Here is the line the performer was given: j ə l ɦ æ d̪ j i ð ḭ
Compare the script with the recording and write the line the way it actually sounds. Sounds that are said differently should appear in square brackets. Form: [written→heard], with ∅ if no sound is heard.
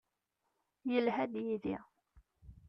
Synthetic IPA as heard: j ə l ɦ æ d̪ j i ð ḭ